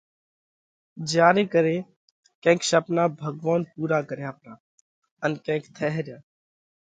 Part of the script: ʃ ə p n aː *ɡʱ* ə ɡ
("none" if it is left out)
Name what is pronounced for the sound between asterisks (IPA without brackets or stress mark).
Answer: bʱ